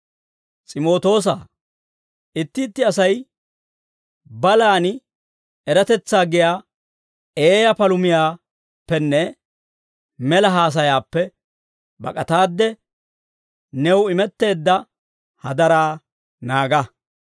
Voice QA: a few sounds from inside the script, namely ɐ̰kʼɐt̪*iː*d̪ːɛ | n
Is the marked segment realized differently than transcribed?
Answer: yes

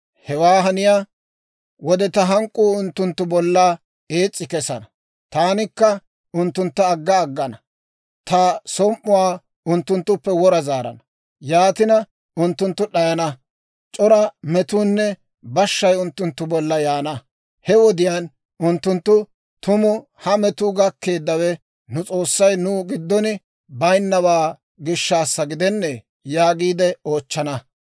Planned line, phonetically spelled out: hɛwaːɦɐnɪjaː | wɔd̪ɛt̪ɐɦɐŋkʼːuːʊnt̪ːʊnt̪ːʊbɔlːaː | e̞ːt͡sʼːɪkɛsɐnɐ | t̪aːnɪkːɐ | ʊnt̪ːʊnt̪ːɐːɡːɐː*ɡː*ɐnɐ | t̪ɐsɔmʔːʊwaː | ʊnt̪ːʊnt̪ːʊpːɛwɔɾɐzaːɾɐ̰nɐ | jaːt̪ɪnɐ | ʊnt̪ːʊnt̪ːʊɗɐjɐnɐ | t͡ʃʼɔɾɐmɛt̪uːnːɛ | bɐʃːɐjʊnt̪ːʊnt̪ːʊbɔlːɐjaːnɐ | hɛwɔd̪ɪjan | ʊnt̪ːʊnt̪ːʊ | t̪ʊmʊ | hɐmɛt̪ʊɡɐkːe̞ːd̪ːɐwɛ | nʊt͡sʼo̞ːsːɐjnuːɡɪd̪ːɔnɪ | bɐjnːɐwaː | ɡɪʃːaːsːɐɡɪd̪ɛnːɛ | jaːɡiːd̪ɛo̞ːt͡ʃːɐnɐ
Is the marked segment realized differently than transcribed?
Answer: no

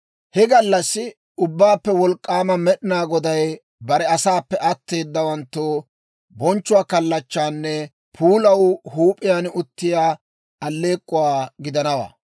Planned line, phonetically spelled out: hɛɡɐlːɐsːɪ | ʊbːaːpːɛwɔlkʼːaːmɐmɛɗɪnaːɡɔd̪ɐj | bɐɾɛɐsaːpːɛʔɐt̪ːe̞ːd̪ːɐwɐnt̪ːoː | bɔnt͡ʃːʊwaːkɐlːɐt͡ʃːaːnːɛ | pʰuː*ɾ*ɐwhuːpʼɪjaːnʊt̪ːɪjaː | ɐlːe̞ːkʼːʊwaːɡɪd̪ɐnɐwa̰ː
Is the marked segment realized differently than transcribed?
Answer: yes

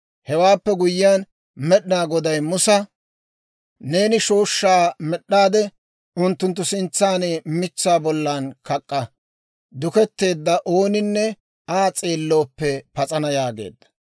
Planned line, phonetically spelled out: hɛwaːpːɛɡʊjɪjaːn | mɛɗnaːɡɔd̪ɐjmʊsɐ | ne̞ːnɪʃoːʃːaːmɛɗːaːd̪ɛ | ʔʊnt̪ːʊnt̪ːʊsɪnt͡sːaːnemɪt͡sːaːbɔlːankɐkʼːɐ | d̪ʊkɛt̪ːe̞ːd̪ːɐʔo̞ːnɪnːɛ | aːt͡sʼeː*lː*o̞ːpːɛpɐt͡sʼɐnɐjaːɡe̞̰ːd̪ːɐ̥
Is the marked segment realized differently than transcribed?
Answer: no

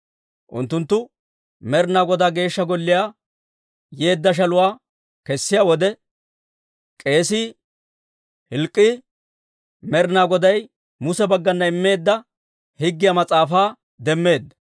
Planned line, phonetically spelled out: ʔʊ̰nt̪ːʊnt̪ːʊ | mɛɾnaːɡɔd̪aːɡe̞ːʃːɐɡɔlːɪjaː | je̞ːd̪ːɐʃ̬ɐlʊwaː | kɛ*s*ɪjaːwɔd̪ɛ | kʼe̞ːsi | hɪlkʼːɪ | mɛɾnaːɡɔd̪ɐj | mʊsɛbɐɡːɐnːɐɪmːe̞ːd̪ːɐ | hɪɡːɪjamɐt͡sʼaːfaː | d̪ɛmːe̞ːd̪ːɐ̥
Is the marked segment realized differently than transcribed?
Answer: yes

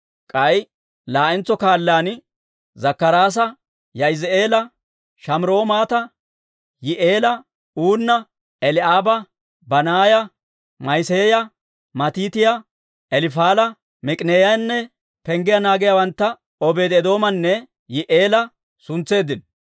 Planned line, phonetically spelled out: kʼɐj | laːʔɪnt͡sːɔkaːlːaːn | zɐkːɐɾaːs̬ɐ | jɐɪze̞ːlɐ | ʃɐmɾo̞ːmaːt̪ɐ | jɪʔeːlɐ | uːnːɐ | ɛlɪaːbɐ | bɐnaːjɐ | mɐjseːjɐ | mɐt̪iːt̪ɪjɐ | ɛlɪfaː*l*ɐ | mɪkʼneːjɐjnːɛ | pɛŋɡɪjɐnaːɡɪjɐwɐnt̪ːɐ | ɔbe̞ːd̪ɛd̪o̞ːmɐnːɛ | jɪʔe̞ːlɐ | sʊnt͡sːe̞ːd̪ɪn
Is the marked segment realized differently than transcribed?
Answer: no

